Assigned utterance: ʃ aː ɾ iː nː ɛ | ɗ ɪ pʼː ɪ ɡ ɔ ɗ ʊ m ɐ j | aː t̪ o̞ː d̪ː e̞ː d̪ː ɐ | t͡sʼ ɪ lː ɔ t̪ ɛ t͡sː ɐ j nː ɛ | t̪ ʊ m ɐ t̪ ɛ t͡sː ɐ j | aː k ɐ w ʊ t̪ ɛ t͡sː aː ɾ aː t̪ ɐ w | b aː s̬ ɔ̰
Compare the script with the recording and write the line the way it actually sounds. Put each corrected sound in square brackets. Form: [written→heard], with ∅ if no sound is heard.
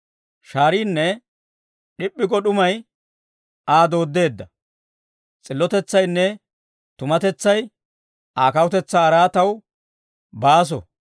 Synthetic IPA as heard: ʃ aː ɾ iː nː ɛ | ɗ ɪ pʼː ɪ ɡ ɔ ɗ ʊ m ɐ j | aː [t̪→d̪] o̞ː d̪ː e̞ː d̪ː ɐ | t͡sʼ ɪ lː ɔ t̪ ɛ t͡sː ɐ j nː ɛ | t̪ ʊ m ɐ t̪ ɛ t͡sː ɐ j | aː k ɐ w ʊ t̪ ɛ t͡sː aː ɾ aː t̪ ɐ w | b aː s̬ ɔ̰